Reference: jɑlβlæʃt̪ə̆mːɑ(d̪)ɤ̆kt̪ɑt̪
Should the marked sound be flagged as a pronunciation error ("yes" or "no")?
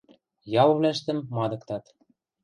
no